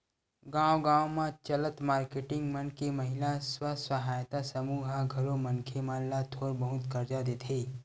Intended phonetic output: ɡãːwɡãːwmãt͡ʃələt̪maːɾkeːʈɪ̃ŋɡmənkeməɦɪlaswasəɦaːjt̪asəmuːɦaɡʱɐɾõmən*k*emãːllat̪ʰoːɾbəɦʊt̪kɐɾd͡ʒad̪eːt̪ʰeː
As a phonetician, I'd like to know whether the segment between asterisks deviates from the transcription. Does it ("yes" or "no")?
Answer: yes